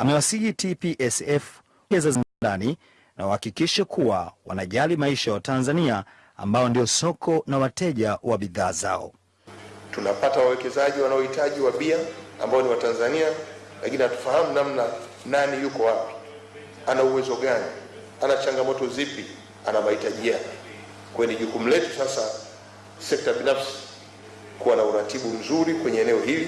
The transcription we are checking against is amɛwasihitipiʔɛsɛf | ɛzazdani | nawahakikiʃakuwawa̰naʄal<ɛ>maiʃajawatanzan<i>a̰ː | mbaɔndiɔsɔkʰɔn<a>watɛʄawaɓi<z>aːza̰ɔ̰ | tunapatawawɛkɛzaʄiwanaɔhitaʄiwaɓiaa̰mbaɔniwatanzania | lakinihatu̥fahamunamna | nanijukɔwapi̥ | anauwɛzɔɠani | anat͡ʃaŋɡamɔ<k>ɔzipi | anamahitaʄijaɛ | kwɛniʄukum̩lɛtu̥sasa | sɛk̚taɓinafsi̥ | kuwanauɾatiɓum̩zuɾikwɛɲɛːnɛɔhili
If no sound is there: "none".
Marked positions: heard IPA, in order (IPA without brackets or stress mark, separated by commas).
i, i, a, ð, t